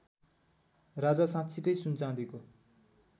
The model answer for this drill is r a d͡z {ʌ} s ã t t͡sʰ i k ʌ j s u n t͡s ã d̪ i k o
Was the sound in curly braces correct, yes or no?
no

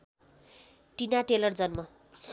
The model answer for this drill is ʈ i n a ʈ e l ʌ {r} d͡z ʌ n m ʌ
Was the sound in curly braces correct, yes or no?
yes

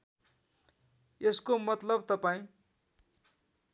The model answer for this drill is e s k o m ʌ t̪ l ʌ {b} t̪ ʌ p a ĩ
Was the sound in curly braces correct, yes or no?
yes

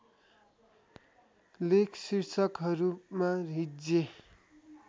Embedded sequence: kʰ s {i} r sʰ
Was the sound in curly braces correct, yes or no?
yes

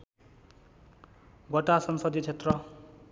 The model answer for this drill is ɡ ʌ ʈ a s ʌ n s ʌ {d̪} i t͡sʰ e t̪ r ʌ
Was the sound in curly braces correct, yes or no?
yes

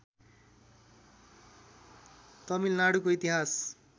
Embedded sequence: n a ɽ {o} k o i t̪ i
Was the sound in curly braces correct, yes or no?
no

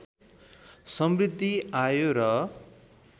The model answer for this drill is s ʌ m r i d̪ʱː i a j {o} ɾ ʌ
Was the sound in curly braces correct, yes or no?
yes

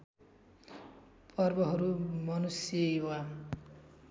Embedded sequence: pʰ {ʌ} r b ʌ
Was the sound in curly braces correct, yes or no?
yes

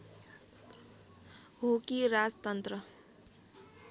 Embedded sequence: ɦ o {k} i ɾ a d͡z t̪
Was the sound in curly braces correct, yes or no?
yes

